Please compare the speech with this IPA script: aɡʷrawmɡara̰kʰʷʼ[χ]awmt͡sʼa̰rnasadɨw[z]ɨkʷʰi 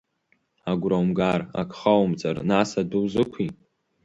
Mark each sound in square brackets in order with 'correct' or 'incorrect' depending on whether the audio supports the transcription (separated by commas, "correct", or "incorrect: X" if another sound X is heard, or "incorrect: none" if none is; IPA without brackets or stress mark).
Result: correct, correct